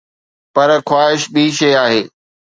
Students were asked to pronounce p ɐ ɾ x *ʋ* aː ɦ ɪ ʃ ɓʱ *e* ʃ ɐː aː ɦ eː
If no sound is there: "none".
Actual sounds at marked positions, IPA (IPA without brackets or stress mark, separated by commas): w, i